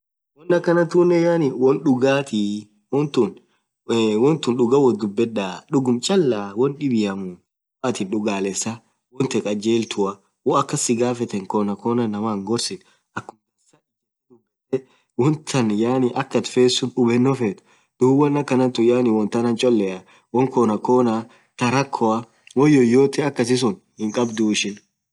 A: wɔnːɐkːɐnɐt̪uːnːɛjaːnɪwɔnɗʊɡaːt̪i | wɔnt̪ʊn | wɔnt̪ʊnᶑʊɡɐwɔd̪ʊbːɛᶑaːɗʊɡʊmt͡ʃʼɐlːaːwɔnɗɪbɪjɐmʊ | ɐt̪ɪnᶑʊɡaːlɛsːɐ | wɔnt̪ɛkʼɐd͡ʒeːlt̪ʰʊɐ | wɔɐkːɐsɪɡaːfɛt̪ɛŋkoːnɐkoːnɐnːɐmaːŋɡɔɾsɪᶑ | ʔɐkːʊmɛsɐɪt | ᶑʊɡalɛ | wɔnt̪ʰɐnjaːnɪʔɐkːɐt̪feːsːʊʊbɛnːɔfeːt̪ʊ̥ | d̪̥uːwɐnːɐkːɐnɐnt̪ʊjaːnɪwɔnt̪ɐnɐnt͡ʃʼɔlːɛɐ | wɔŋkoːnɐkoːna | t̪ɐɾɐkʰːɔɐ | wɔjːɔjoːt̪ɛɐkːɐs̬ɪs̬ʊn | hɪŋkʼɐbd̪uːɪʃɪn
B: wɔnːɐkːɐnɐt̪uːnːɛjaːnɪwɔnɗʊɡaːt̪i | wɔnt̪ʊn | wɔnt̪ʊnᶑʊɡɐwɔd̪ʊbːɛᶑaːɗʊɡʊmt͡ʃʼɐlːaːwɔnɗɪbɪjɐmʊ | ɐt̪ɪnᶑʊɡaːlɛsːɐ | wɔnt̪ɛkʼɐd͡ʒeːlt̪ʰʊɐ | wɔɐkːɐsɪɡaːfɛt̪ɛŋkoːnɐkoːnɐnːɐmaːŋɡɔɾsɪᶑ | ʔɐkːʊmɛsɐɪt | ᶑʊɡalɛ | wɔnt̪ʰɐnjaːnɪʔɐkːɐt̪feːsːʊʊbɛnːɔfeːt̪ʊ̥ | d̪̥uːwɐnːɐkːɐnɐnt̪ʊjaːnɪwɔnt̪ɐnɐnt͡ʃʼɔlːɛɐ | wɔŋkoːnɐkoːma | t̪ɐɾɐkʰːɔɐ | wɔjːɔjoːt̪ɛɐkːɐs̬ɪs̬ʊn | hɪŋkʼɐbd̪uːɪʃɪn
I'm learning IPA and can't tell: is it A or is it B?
A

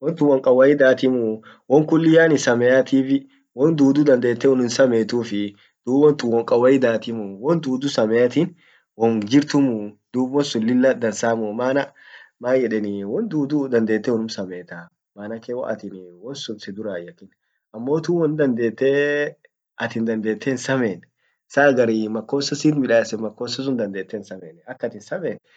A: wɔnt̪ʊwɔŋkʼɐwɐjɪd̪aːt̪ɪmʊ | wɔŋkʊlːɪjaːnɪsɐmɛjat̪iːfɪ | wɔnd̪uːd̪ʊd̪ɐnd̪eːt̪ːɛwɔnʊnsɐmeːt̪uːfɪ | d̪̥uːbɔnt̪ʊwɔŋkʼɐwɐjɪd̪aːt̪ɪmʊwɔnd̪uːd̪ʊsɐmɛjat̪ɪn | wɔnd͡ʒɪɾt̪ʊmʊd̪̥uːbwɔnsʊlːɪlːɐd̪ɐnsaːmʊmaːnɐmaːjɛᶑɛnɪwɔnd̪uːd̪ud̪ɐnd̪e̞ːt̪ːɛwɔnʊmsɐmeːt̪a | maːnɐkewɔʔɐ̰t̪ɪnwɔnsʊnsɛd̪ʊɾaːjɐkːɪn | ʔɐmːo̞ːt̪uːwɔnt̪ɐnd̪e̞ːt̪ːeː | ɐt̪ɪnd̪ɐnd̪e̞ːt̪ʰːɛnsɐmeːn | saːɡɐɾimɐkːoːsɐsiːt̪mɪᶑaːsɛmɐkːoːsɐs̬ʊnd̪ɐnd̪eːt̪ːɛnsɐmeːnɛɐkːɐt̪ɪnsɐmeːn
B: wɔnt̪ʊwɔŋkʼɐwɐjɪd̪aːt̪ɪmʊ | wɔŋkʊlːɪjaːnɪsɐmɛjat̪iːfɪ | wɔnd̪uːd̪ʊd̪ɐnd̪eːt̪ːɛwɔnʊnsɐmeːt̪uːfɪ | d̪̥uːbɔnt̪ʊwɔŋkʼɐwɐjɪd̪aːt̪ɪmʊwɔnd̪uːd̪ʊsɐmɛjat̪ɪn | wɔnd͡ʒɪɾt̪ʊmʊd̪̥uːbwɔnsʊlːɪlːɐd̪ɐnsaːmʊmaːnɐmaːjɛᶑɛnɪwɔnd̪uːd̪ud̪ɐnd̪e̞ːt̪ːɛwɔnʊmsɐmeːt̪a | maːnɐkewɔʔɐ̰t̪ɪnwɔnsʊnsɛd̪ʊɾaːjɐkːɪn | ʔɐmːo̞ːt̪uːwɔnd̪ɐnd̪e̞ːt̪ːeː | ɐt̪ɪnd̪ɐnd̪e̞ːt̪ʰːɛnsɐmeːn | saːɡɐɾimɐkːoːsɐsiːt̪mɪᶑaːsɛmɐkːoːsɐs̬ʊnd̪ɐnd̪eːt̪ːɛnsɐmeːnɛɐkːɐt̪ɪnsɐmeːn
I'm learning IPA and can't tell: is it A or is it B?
B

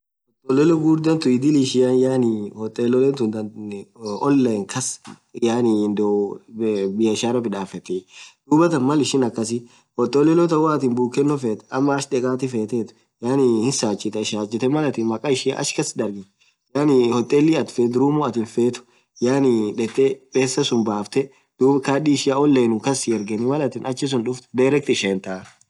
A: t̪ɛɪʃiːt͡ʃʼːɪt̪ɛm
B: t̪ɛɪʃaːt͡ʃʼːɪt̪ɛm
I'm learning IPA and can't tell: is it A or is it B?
B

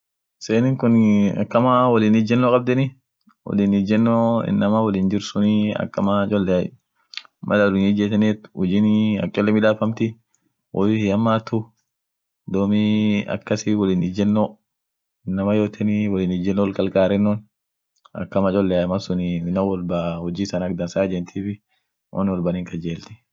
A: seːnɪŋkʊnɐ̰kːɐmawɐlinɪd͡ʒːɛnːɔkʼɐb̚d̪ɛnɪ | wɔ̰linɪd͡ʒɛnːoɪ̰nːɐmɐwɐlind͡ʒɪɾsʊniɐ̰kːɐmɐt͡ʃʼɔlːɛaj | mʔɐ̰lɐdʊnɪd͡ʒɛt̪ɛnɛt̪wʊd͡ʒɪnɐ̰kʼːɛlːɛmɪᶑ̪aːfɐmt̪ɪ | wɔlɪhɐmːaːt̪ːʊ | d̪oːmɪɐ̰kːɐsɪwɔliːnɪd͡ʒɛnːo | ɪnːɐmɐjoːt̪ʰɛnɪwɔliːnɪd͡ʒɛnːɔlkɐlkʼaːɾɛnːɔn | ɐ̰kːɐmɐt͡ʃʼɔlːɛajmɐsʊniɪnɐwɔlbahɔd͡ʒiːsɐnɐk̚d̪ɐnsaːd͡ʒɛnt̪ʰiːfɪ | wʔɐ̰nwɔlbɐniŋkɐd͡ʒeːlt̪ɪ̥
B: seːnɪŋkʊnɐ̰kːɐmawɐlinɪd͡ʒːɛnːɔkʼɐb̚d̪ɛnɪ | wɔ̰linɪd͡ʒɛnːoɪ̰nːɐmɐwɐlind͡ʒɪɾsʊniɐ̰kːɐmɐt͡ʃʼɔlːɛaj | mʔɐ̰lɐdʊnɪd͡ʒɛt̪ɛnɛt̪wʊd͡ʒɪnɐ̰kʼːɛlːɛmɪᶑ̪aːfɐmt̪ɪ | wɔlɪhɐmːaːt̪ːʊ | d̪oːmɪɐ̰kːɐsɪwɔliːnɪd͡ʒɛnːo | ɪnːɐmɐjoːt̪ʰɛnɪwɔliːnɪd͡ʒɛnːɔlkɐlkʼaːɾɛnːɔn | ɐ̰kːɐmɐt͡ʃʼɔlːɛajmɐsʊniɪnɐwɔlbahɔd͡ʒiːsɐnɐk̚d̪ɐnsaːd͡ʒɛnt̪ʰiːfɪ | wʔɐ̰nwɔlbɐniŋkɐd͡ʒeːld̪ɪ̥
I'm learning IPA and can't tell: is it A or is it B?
A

